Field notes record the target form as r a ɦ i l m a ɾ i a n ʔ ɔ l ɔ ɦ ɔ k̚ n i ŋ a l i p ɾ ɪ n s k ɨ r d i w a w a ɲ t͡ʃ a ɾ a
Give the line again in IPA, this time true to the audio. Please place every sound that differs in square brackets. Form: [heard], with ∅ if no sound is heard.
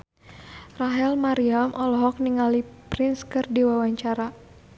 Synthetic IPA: r a ɦ [ɛ] l m a ɾ i a [m] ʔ ɔ l ɔ ɦ ɔ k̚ n i ŋ a l i p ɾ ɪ n s k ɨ r d i w a w a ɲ t͡ʃ a ɾ a